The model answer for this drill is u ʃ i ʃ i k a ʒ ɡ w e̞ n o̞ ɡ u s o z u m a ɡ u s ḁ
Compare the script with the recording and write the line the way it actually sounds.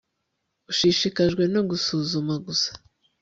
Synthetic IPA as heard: u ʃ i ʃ i k a ʒ ɡ w e̞ n o̞ ɡ u s u z u m a ɡ u s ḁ